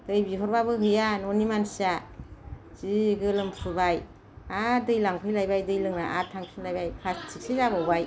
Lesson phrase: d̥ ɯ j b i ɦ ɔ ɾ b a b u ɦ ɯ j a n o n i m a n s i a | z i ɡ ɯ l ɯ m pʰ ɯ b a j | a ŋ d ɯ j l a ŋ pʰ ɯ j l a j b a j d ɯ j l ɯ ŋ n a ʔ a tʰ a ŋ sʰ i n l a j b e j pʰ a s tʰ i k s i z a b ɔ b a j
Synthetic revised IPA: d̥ ɯ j b i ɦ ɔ ɾ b a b ɯ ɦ ɯ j a n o n i m a n s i a | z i ɡ ɯ l ɯ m pʰ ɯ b a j | a d ɯ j l a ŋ pʰ ɯ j l a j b a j d ɯ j l ɯ ŋ n a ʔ a tʰ a ŋ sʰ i n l a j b a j pʰ a s tʰ i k s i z a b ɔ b a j